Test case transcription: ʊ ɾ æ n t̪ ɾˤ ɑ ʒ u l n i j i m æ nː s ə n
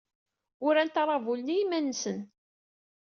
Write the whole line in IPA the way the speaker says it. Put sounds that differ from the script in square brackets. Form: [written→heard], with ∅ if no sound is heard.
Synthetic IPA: ʊ ɾ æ n t̪ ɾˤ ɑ [ʒ→v] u l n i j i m æ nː s ə n